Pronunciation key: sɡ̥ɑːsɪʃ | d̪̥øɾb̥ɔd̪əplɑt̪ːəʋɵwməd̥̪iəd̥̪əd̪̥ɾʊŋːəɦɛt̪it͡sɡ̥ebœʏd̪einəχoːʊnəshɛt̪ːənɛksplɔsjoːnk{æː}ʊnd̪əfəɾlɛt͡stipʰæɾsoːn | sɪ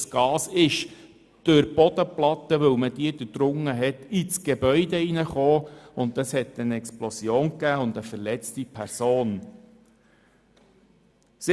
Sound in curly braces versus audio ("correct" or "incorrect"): correct